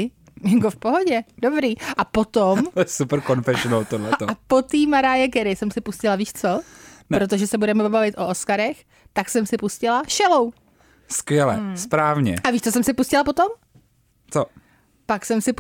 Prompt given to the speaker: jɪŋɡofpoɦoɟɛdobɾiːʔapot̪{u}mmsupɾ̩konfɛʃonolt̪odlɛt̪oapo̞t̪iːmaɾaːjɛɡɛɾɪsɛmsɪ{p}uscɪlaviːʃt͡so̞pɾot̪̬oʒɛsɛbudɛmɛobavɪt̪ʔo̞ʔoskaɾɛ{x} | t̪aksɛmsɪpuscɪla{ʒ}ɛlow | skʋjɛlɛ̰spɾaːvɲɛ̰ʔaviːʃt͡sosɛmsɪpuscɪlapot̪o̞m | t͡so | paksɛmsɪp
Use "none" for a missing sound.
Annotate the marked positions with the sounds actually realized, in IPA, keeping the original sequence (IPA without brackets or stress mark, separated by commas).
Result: o, p, x, ʃ